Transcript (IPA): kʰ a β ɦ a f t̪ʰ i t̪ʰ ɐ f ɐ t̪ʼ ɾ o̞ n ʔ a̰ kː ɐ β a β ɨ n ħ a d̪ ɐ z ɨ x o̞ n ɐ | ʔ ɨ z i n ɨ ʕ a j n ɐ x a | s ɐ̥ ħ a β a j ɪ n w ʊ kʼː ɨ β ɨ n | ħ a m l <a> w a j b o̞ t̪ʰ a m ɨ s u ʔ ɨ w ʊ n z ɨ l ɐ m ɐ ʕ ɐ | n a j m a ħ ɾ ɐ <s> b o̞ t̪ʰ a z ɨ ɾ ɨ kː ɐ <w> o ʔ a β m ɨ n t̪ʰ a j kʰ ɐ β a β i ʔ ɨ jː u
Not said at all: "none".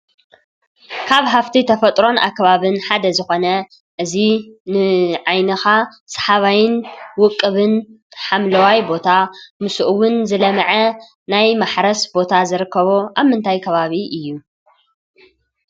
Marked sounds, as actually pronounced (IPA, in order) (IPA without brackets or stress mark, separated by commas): ɐ, s, β